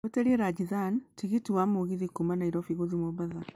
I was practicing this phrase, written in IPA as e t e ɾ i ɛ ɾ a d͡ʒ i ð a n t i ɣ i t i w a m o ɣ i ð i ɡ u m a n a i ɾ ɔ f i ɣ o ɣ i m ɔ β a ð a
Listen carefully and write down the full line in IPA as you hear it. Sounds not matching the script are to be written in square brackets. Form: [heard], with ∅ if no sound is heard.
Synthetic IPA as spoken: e t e ɾ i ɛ ɾ a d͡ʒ i ð a n t i ɣ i t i w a m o ɣ i ð i [k] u m a n a i ɾ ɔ f i ɣ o [ð] i m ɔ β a ð a